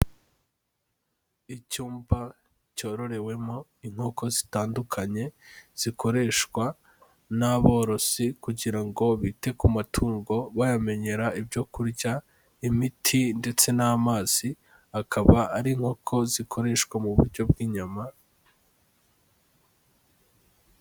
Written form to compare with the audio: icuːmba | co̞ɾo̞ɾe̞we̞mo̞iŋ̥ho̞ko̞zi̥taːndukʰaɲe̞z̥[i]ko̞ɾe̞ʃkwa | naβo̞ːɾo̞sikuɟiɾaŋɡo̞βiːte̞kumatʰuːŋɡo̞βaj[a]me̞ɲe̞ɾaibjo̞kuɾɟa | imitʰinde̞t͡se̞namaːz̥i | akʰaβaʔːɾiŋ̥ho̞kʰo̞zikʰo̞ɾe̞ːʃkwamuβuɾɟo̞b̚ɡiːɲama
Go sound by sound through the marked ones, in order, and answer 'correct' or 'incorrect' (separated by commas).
correct, correct